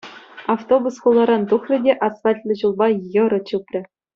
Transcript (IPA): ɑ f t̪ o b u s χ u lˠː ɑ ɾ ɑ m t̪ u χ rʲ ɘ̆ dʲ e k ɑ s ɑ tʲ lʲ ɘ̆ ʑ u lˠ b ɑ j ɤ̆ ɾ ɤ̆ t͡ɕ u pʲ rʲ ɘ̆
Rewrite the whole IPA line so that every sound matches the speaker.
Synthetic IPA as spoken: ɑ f t̪ o b u s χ u lˠː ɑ ɾ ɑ n t̪ u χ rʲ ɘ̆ dʲ e ʔ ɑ s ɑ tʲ lʲ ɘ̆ ʑ u lˠ b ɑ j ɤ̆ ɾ ɤ̆ t͡ɕ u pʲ rʲ ɘ̆